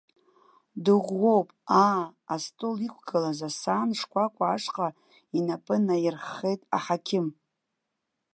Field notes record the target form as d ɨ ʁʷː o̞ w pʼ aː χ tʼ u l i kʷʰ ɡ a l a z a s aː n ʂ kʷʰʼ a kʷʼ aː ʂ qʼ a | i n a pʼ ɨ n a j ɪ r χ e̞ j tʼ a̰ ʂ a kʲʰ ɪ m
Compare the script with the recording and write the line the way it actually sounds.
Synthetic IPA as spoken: d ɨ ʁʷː o̞ w pʼ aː s tʼ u l i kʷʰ ɡ a l a z a s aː n ʂ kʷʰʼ a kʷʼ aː ʂ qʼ a | i n a pʼ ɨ n a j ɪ r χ e̞ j tʼ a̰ ħ a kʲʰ ɪ m